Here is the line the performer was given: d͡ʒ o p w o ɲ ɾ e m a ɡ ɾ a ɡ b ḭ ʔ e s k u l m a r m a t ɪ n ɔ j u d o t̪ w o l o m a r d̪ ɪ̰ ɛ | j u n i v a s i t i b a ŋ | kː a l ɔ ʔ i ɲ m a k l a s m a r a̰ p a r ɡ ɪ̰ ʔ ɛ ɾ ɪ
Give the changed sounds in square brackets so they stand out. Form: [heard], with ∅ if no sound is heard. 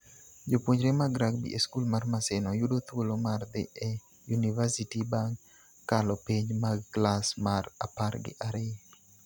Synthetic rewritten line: d͡ʒ o p w o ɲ ɾ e m a ɡ ɾ a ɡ b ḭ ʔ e s k u l m a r m a [s] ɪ n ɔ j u d o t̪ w o l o m a r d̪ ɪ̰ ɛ | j u n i v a s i t i b a ŋ | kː a l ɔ [p] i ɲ m a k l a s m a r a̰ p a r ɡ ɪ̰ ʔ [a] ɾ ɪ